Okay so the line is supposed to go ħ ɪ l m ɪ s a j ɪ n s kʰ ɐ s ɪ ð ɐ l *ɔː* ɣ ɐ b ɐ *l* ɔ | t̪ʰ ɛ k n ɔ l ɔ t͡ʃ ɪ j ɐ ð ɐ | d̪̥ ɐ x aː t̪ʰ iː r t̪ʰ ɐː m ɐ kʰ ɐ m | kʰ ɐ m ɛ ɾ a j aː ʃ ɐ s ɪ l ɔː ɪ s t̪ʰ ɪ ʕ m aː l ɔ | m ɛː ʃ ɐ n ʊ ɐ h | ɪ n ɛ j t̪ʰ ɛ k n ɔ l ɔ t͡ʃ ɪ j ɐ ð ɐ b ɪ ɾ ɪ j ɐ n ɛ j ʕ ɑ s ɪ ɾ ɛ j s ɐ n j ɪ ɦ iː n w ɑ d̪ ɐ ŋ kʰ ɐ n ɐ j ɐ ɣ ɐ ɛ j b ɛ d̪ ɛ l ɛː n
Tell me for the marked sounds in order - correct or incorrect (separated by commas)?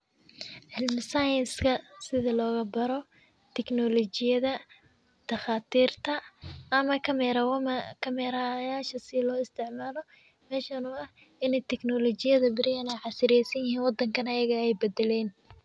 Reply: correct, incorrect